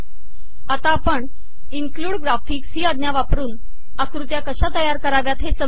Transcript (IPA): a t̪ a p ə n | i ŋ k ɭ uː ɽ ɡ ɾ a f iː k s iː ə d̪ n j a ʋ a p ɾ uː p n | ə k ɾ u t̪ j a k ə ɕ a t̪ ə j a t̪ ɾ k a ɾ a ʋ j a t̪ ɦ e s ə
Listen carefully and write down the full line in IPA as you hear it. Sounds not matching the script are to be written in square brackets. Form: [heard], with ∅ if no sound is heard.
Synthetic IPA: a t̪ a p ə [ɳ] | i ŋ k [l] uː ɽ ɡ ɾ a f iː k s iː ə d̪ n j a ʋ a p ɾ uː [∅] n | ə k ɾ u t̪ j a k ə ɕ a t̪ ə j a [∅] ɾ k [ə] ɾ a ʋ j a t̪ ɦ e s ə